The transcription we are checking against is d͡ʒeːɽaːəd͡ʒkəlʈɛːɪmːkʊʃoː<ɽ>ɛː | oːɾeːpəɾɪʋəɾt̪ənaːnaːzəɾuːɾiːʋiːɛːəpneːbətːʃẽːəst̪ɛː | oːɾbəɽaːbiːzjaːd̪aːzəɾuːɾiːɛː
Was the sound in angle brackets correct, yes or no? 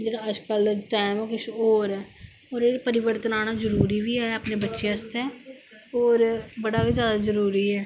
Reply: no